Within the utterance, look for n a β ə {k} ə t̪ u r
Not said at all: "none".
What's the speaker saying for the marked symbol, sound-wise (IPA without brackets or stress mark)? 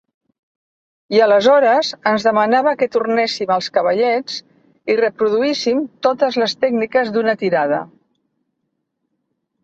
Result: k